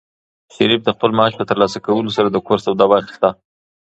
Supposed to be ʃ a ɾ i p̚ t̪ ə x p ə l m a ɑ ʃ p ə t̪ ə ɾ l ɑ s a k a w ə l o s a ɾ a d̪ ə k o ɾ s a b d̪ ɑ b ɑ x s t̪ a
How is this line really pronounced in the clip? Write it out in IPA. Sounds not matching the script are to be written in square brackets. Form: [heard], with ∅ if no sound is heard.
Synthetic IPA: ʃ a ɾ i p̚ [d̪] ə x p ə l m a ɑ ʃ p ə t̪ ə ɾ l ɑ s a k a w ə l o s a ɾ a d̪ ə k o ɾ s a [w] d̪ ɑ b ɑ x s t̪ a